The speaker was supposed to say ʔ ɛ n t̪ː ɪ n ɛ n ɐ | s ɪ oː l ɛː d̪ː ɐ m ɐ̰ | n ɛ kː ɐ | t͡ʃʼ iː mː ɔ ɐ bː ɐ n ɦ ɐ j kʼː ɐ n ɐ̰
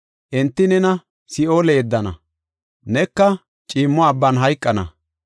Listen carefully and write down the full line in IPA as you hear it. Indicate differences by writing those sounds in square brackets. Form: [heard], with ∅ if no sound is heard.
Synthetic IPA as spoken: ʔ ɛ n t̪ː ɪ n ɛ n ɐ | s ɪ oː l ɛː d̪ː ɐ [n] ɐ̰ | n ɛ kː ɐ | t͡ʃʼ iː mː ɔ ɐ bː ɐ n ɦ ɐ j kʼː ɐ n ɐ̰